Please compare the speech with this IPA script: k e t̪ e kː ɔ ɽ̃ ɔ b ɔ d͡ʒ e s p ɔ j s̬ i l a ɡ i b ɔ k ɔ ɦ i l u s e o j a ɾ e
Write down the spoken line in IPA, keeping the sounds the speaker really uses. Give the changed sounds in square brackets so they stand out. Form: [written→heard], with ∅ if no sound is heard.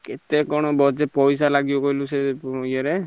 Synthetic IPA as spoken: k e t̪ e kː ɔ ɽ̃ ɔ b ɔ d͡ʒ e [s→∅] p ɔ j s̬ [i→a] l a ɡ i b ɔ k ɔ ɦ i l u s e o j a ɾ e